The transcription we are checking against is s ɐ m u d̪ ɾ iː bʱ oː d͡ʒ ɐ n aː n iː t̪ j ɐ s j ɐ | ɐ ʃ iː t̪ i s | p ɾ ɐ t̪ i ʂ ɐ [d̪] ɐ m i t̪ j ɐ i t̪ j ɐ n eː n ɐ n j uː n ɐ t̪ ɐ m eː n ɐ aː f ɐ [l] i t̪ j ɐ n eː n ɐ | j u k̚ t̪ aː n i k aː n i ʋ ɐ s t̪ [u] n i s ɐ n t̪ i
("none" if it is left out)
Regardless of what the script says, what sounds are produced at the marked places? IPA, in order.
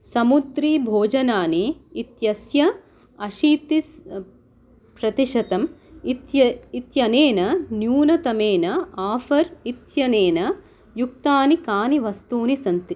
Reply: t̪, ɾ, uː

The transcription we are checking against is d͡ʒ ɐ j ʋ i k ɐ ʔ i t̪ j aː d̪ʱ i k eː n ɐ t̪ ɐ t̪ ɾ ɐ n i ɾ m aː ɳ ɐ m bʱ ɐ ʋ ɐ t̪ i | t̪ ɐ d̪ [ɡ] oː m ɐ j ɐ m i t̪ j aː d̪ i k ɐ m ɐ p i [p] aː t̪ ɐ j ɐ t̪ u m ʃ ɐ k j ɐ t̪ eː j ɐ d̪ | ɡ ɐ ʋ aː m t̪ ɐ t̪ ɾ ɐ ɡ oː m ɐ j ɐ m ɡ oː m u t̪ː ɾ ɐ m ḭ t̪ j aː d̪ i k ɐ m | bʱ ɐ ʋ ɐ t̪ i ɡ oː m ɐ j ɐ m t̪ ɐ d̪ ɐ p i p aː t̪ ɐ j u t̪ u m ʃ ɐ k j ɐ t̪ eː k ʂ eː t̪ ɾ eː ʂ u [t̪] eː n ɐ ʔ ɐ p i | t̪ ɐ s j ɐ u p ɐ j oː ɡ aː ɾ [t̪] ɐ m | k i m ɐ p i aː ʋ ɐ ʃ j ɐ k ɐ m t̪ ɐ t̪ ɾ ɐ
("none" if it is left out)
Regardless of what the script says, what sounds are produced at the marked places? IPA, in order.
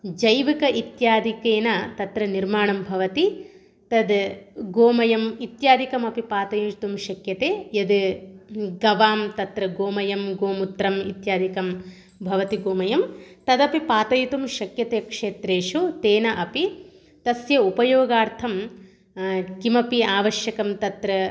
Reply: ɡ, p, t̪, t̪ʰ

